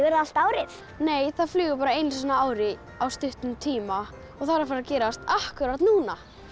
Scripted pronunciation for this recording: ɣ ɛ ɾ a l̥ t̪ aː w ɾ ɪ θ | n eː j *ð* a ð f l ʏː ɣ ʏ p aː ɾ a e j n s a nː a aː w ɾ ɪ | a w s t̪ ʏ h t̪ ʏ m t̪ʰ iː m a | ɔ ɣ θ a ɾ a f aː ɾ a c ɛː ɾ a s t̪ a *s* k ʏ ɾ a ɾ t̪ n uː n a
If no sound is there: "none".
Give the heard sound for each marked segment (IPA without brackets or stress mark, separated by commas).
θ, h